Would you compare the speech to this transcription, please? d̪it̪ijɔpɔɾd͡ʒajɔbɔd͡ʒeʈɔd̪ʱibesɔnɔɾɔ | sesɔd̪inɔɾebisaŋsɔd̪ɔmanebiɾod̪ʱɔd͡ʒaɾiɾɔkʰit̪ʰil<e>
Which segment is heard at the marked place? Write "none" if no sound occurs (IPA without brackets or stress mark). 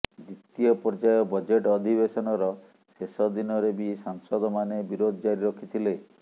e